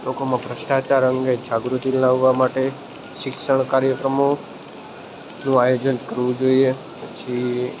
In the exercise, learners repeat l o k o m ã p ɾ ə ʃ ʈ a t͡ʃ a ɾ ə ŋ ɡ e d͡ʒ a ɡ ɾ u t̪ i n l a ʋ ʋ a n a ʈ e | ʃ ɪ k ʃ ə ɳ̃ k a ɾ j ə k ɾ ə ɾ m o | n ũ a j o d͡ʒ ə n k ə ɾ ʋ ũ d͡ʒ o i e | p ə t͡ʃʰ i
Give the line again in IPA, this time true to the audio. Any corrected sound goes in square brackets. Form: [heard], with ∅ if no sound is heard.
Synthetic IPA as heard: l o k o m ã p ɾ ə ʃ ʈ a t͡ʃ a ɾ ə ŋ ɡ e d͡ʒ a ɡ ɾ u t̪ i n l a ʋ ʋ a [m] a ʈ e | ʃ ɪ k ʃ ə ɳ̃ k a ɾ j ə k ɾ ə [∅] m o | n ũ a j o d͡ʒ ə n k ə ɾ ʋ ũ d͡ʒ o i e | p ə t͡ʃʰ i

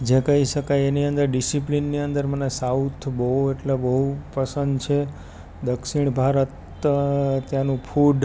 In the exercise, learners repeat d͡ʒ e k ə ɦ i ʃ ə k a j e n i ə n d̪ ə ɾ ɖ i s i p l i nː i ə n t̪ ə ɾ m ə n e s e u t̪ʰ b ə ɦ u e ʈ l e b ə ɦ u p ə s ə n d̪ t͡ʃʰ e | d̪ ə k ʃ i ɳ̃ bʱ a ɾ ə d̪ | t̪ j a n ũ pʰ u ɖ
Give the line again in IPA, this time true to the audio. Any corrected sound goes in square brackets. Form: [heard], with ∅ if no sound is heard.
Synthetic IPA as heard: d͡ʒ e k ə ɦ i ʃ ə k a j e n i ə n d̪ ə ɾ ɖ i s i p l i nː i ə n [d̪] ə ɾ m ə n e s [a] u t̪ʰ b ə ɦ u e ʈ l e b ə ɦ u p ə s ə n d̪ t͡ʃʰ e | d̪ ə k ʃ i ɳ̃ bʱ a ɾ ə [t̪] | t̪ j a n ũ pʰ u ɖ

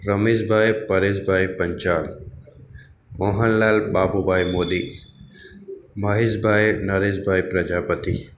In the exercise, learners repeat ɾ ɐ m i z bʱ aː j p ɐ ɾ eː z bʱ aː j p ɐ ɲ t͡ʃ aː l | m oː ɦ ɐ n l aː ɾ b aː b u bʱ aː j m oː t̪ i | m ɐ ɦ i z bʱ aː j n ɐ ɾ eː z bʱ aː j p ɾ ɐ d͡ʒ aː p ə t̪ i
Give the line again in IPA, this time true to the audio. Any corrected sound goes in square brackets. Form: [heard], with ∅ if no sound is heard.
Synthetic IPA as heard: ɾ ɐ m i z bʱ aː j p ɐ ɾ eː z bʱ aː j p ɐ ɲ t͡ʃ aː l | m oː ɦ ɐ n l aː [l] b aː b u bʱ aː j m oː [d̪] i | m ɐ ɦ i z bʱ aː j n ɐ ɾ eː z bʱ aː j p ɾ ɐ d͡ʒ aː p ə t̪ i

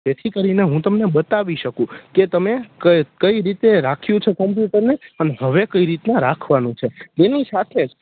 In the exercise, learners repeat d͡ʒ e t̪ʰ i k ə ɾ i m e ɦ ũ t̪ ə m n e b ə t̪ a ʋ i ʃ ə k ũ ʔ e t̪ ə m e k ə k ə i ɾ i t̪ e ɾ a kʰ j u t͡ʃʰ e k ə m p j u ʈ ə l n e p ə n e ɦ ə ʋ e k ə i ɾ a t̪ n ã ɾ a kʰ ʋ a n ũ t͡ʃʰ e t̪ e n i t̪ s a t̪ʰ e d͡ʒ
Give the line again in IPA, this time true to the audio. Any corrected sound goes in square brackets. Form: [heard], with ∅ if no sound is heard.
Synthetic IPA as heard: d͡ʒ e t̪ʰ i k ə ɾ i [n] e ɦ ũ t̪ ə m n e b ə t̪ a ʋ i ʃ ə k ũ [k] e t̪ ə m e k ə k ə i ɾ i t̪ e ɾ a kʰ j [ũ] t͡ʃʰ e k ə m p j u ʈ ə [ɾ] n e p ə n e ɦ ə ʋ e k ə i ɾ [i] t̪ n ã ɾ a kʰ ʋ a n ũ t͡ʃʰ e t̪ e n i [∅] s a t̪ʰ e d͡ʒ

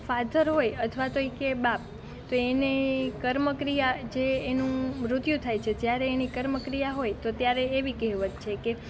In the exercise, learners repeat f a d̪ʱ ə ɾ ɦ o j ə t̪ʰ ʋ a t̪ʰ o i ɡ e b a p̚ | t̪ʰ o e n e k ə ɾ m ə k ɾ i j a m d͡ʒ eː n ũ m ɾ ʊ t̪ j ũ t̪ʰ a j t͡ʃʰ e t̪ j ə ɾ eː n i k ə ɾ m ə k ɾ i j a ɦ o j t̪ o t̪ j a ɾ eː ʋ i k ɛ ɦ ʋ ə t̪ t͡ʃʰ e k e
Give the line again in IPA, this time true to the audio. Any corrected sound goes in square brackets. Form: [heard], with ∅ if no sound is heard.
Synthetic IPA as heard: f a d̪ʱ ə ɾ ɦ o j ə t̪ʰ ʋ a [t̪] o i [k] e b a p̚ | [t̪] o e n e k ə ɾ m ə k ɾ i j a [∅] d͡ʒ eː n ũ m ɾ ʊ t̪ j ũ t̪ʰ a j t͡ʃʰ e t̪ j [a] ɾ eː n i k ə ɾ m ə k ɾ i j a ɦ o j t̪ o t̪ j a ɾ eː ʋ i k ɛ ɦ ʋ ə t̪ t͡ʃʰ e k e

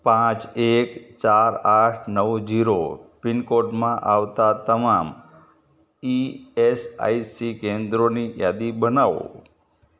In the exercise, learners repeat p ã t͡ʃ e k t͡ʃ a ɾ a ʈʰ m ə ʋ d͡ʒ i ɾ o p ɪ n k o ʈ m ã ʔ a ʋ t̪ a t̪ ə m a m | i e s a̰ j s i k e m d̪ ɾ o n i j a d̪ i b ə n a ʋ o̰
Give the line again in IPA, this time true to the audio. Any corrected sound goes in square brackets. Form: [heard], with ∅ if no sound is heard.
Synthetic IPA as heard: p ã t͡ʃ e k t͡ʃ a ɾ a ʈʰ [n] ə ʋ d͡ʒ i ɾ o p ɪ n k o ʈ m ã ʔ a ʋ t̪ a t̪ ə m a m | i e s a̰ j s i k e [n] d̪ ɾ o n i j a d̪ i b ə n a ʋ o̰

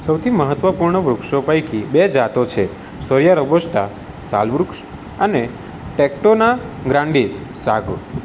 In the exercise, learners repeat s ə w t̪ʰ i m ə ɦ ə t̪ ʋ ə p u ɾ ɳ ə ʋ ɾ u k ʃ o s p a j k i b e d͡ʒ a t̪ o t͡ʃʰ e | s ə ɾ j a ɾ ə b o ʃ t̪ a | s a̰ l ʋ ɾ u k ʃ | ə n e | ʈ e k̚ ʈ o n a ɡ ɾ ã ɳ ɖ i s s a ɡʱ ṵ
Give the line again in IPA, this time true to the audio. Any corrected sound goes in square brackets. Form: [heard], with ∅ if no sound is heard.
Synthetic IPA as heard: s ə w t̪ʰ i m ə ɦ ə t̪ ʋ ə p u ɾ ɳ ə ʋ ɾ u k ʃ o [∅] p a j k i b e d͡ʒ a t̪ o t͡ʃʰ e | s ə ɾ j a ɾ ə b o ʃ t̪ a | s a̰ l ʋ ɾ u k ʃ | ə n e | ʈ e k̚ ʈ o n a ɡ ɾ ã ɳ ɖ i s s a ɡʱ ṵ

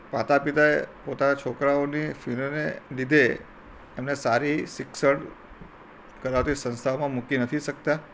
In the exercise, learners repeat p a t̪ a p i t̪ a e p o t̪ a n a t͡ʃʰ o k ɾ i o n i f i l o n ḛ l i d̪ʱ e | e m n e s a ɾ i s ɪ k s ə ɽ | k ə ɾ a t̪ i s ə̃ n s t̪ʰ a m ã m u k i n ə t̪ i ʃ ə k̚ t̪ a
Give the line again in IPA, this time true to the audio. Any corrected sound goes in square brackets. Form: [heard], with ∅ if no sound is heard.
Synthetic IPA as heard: p a t̪ a p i t̪ a e p o t̪ a n a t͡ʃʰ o k ɾ [a] o n i f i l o n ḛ l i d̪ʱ e | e m n e s a ɾ i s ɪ k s ə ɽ | k ə ɾ a t̪ i s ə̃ n s t̪ʰ a m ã m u k i n ə [t̪ʰ] i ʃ ə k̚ t̪ a

